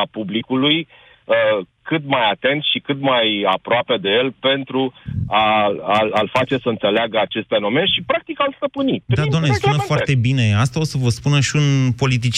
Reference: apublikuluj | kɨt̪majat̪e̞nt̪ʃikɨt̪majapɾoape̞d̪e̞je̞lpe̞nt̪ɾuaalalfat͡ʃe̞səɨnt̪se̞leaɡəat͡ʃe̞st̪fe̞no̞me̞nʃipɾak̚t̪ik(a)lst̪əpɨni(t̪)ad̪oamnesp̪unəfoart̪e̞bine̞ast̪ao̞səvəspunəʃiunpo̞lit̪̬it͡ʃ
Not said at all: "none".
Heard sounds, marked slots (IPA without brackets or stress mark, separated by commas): a, d̪